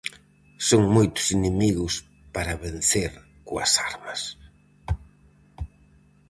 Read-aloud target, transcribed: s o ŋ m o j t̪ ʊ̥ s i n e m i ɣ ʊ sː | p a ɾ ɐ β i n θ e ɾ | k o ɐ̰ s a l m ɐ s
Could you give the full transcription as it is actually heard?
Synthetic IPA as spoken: s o ŋ m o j t̪ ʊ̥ s i n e m i ɣ ʊ s | p a ɾ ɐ β e n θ e ɾ | k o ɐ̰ s a ɾ m ɐ s